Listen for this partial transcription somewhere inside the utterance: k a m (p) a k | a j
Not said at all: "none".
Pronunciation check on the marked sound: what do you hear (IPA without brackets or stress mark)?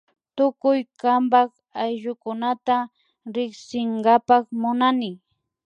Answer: b